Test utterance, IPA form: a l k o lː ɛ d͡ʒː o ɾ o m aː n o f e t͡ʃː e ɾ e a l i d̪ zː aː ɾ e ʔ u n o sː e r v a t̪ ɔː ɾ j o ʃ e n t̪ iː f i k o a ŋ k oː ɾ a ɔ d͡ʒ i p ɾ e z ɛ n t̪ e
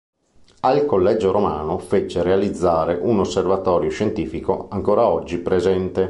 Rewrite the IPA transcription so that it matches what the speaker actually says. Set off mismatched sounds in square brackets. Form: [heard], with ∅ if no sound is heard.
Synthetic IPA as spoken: a l k o lː ɛ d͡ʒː o ɾ o m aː n o f e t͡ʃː e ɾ e a l i d̪ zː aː ɾ e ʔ u n o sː e r v a t̪ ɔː ɾ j o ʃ e n t̪ iː f i k o a ŋ k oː ɾ a ɔ [d͡ʒː] i p ɾ e z ɛ n t̪ e

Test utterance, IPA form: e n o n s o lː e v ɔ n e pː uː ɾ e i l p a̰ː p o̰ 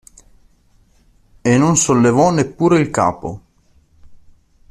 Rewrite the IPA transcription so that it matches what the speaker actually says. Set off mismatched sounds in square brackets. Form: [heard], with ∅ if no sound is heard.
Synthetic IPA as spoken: e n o n s o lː e v ɔ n e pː uː ɾ e i l [k] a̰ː p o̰

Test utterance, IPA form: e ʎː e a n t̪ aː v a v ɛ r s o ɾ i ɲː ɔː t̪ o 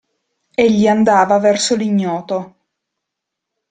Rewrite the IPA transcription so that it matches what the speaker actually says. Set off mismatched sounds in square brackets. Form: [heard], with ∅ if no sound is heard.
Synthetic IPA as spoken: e ʎː [i] a n [d̪] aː v a v ɛ r s o [l] i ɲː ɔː t̪ o

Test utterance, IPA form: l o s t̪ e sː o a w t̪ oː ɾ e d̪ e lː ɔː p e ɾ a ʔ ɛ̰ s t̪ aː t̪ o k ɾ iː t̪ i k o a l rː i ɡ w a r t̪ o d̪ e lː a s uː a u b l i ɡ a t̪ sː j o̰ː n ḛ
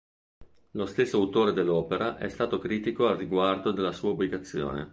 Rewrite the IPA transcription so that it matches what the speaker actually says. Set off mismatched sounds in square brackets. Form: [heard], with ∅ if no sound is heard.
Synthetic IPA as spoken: l o s t̪ e sː o a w t̪ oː ɾ e d̪ e lː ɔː p e ɾ a ʔ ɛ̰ s t̪ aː t̪ o k ɾ iː t̪ i k o a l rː i ɡ w a r [d̪] o d̪ e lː a s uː a u b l i ɡ a t̪ sː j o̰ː n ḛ

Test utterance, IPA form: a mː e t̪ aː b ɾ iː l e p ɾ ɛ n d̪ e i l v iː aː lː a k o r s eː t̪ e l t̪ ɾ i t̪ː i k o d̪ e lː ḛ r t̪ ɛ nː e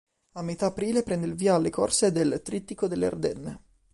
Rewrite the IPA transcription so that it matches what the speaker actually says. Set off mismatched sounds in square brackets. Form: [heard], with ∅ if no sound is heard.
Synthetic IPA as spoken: a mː e t̪ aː [p] ɾ iː l e p ɾ ɛ n d̪ e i l v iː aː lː [e] k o r s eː [d̪] e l t̪ ɾ i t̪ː i k o d̪ e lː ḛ r [d̪] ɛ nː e

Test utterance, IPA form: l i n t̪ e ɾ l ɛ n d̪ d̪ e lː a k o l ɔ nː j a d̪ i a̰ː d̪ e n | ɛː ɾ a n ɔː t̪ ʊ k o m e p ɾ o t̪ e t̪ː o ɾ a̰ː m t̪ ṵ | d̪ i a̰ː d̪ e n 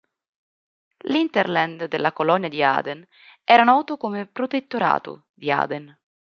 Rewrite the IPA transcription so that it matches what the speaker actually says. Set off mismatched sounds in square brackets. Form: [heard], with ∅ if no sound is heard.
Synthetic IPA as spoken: l i n t̪ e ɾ l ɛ n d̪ d̪ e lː a k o l ɔ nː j a d̪ i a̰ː d̪ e n | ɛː ɾ a n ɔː t̪ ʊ k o m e p ɾ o t̪ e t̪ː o ɾ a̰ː [∅] t̪ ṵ | d̪ i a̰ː d̪ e n

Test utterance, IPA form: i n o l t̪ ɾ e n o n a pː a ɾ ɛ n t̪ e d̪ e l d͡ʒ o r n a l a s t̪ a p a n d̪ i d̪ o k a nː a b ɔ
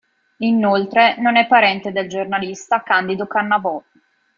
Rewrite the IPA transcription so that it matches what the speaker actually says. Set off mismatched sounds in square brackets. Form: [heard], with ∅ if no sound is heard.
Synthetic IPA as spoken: i n o l t̪ ɾ e n o n [ɛ] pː a ɾ ɛ n t̪ e d̪ e l d͡ʒ o r n a l [i] s t̪ a [k] a n d̪ i d̪ o k a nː a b ɔ

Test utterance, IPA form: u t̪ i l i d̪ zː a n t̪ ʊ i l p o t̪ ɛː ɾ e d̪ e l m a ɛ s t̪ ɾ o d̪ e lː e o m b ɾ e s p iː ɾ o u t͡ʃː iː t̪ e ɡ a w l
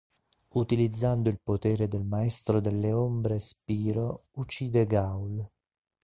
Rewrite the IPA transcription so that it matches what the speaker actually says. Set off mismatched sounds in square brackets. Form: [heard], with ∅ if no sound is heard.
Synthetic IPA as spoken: u t̪ i l i d̪ zː a n [d̪] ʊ i l p o t̪ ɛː ɾ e d̪ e l m a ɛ s t̪ ɾ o d̪ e lː e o m b ɾ e s p iː ɾ o u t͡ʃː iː [d̪] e ɡ a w l

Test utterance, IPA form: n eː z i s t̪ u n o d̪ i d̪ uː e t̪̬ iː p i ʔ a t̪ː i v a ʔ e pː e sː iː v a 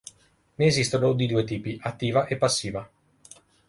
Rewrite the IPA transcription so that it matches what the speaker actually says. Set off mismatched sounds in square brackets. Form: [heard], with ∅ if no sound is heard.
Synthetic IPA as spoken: n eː z i s t̪ [o] n o d̪ i d̪ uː e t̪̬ iː p i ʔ a t̪ː [iː] v a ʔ e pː [a] sː iː v a

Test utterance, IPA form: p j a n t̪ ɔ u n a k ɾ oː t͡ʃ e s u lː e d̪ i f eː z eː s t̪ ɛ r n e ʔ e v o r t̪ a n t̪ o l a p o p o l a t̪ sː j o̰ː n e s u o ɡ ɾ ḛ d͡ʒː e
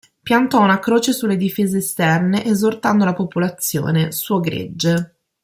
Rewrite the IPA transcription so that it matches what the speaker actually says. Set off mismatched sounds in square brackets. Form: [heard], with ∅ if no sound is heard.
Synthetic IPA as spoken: p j a n t̪ ɔ u n a k ɾ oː t͡ʃ e s u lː e d̪ i f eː z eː s t̪ ɛ r n e ʔ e [z] o r t̪ a n [d̪] o l a p o p o l a t̪ sː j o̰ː n e s u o ɡ ɾ ḛ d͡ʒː e

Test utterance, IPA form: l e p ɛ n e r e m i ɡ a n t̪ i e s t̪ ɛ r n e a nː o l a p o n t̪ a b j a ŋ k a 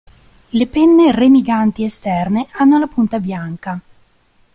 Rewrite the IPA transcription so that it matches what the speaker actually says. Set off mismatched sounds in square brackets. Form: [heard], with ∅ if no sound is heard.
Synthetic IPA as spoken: l e p ɛ [nː] e r e m i ɡ a n t̪ i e s t̪ ɛ r n e a nː o l a p [u] n t̪ a b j a ŋ k a

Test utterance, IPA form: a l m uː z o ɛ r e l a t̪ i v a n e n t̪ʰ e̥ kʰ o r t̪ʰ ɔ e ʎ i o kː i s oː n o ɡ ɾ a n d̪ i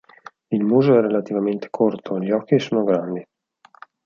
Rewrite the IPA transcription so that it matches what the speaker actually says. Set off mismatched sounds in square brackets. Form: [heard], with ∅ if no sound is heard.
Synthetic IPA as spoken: [i] l m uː z o ɛ r e l a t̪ i v a [m] e n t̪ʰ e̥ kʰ o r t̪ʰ [o] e ʎ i [ɔ] kː i s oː n o ɡ ɾ a n d̪ i

